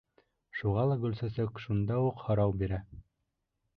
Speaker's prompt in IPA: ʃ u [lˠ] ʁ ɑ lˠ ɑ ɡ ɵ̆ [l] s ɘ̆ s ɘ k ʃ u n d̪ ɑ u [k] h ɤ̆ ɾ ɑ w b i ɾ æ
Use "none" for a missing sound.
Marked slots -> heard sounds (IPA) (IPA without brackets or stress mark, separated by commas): none, l, q